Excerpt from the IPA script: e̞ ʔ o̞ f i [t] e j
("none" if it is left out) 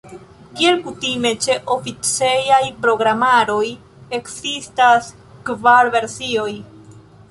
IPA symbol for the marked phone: t͡s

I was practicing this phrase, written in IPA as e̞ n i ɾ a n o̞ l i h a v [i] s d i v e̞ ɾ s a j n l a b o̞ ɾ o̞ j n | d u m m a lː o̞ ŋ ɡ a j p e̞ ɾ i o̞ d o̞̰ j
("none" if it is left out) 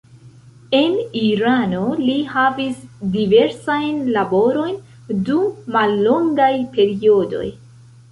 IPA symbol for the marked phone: i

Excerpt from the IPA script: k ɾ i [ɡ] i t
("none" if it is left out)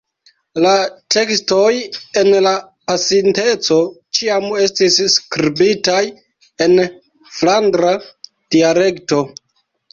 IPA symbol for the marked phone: b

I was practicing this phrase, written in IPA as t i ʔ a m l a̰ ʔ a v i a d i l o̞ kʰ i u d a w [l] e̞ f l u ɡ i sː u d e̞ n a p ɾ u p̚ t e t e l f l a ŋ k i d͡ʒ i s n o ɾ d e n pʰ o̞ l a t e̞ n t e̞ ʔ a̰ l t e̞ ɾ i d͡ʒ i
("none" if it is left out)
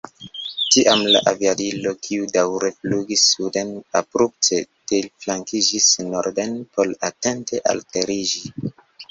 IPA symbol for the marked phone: ɾ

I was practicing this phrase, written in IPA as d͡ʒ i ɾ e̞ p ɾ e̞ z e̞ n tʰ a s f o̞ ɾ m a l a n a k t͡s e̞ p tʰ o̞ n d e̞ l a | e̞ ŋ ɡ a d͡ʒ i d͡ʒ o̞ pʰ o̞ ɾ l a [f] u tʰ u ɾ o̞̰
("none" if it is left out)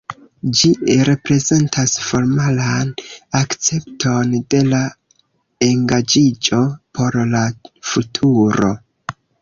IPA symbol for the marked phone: f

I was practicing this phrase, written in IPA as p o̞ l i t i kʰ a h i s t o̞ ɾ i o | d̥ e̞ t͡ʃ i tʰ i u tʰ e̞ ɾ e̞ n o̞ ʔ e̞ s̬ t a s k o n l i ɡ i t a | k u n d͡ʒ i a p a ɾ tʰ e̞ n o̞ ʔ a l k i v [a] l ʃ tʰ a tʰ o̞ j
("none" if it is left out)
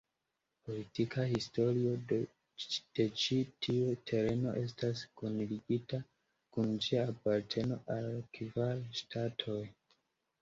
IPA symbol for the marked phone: a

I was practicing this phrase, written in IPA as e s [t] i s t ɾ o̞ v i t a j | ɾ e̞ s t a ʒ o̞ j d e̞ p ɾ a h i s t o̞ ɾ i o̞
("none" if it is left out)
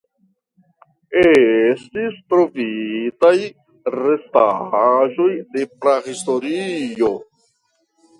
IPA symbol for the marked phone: t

